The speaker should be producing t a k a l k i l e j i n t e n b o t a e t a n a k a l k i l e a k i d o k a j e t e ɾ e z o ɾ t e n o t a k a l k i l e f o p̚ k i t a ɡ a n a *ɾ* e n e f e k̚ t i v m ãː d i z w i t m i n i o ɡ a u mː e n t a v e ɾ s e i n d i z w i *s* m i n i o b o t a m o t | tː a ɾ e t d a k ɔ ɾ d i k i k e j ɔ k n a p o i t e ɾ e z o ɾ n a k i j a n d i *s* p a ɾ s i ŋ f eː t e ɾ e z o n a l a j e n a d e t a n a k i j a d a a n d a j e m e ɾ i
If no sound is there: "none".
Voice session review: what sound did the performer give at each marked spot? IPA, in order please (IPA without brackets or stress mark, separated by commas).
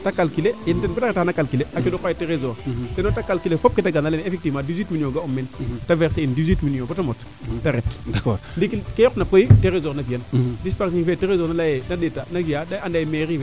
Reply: l, t, s